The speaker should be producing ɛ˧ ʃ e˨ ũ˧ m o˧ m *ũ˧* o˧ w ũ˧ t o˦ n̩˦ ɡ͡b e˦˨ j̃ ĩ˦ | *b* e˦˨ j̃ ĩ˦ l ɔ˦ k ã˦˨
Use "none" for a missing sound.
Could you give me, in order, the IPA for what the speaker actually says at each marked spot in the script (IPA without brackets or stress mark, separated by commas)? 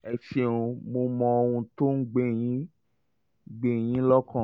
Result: ɔ̃˧, ɡ͡b